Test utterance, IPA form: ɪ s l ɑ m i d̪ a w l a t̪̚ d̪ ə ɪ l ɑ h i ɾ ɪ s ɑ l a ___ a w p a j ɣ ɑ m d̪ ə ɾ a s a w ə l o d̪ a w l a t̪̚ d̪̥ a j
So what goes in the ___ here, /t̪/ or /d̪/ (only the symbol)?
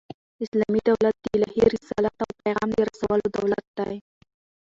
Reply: t̪